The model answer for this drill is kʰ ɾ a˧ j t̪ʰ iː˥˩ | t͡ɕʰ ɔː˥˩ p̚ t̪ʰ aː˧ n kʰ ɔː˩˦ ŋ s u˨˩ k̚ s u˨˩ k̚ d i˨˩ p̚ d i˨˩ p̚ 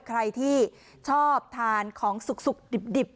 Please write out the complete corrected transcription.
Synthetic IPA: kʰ ɾ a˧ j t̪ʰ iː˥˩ | t͡ɕʰ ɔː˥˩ p̚ t̪ʰ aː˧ n kʰ ɔː˩˦ ŋ s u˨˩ k̚ s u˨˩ k̚ d i˨˩ p̚ d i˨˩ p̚